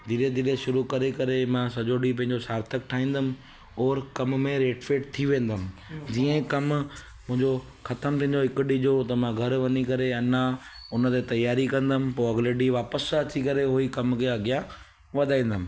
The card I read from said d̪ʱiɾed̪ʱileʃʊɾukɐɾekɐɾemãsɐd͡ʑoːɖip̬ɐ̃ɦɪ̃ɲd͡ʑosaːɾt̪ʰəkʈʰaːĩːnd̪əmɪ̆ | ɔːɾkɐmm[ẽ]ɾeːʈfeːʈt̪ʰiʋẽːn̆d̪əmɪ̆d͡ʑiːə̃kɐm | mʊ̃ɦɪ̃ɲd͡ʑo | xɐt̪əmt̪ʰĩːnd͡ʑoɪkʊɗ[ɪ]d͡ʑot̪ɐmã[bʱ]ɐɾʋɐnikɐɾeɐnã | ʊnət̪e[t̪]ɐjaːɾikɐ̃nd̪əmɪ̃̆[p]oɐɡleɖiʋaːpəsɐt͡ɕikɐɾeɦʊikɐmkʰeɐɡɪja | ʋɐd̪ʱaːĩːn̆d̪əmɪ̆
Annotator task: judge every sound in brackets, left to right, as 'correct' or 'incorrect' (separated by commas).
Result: correct, incorrect, incorrect, correct, correct